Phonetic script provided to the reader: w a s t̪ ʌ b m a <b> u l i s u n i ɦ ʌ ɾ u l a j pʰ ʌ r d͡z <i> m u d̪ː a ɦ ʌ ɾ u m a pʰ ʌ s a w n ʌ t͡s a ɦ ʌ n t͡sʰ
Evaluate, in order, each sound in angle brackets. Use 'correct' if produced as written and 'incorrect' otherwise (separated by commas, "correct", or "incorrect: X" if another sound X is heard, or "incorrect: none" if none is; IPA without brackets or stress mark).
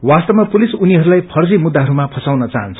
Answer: incorrect: p, correct